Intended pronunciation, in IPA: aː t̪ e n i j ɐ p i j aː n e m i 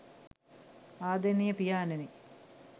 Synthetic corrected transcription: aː d̪ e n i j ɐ p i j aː n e n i